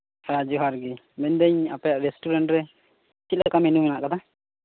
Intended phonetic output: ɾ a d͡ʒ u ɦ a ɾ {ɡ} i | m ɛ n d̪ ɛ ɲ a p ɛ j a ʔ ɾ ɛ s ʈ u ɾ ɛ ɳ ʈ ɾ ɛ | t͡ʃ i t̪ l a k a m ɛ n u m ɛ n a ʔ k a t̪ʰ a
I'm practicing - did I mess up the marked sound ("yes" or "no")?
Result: no